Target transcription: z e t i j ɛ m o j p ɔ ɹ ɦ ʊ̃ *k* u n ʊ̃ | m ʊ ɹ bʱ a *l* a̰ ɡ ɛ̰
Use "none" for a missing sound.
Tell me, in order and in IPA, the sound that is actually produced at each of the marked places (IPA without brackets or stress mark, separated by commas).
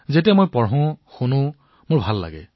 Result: x, lː